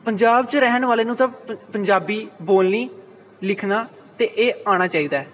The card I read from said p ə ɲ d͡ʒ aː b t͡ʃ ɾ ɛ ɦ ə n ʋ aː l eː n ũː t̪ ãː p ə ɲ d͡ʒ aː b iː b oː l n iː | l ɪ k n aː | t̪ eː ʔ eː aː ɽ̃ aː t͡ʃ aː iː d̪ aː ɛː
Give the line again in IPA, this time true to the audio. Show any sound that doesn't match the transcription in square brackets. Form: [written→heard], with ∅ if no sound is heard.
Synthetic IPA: p ə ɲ d͡ʒ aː b t͡ʃ ɾ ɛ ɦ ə n ʋ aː l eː n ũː t̪ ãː p ə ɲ d͡ʒ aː b iː b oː l n iː | l ɪ [k→kʰ] n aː | t̪ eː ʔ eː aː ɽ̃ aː t͡ʃ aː iː d̪ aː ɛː